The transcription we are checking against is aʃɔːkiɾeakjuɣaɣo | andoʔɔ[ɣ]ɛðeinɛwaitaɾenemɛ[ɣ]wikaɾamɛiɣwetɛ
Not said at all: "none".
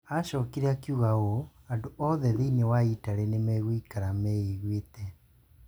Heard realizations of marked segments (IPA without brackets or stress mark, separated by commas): ð, ɣ